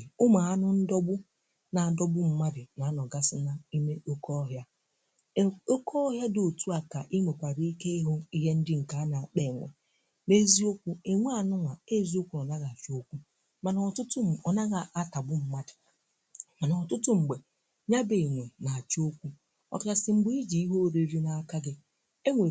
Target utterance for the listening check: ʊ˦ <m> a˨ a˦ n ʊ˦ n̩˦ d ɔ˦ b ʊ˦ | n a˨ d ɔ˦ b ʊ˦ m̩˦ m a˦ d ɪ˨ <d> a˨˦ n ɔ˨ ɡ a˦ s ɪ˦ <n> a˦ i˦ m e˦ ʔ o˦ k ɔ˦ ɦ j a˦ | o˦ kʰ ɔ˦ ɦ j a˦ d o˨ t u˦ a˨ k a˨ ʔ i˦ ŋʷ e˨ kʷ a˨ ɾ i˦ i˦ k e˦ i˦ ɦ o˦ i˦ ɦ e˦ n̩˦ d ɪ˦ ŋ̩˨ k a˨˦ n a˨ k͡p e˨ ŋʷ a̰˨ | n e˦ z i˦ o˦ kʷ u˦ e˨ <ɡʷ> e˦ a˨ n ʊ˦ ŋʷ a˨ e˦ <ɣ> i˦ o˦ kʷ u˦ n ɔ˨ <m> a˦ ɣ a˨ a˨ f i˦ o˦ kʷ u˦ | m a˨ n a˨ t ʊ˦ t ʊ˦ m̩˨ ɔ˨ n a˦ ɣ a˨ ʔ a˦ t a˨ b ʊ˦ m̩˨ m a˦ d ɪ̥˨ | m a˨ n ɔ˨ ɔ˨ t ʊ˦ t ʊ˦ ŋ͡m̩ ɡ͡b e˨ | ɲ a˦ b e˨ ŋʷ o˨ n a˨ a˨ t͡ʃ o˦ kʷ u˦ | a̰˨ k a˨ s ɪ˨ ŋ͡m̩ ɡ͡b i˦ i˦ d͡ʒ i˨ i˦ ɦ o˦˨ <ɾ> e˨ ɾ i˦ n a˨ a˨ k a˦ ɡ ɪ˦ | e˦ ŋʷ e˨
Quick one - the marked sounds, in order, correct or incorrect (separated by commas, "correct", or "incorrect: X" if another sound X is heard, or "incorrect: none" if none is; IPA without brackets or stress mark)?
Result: correct, incorrect: n, correct, incorrect: ŋʷ, incorrect: z, incorrect: n, correct